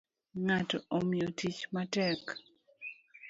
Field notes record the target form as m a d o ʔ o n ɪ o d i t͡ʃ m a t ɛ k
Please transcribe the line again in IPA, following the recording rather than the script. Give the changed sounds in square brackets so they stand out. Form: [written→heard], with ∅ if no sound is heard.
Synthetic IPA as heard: [m→ŋ] a [d→t] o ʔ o [n→m] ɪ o [d→t] i t͡ʃ m a t ɛ k